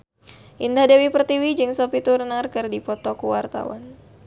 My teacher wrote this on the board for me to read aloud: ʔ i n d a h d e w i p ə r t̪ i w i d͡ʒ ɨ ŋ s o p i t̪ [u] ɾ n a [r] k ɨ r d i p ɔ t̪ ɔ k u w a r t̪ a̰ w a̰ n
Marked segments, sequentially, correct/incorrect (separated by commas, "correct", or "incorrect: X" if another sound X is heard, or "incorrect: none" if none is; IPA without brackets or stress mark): correct, correct